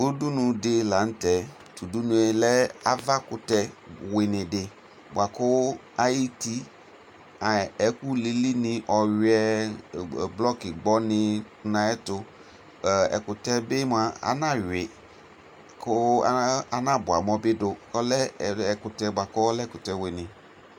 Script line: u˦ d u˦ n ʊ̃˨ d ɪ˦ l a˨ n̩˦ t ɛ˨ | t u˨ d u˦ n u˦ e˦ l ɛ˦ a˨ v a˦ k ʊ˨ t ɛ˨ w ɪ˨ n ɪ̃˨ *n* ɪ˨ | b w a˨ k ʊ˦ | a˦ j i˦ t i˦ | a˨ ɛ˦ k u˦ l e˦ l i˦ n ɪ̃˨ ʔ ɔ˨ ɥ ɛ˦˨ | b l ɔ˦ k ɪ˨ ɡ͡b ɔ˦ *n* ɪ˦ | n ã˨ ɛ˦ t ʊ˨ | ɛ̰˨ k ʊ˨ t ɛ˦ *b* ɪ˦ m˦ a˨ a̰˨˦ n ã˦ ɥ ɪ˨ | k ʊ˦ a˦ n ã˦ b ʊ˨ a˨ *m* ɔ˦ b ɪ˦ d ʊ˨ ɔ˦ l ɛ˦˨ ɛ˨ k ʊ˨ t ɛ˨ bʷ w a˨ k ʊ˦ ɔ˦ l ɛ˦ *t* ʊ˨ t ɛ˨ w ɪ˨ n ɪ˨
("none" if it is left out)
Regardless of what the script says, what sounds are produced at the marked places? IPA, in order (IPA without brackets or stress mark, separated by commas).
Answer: d, n, b, m, k